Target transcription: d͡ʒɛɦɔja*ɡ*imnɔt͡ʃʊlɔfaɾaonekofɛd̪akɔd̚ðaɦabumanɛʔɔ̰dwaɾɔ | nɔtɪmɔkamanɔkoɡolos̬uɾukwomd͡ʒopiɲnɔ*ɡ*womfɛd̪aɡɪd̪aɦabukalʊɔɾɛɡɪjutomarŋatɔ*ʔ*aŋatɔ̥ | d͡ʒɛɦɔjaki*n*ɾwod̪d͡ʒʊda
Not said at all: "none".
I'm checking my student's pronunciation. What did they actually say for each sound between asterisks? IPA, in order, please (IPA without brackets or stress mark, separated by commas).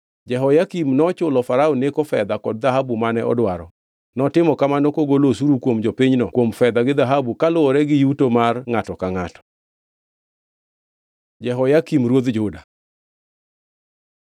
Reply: k, k, k, m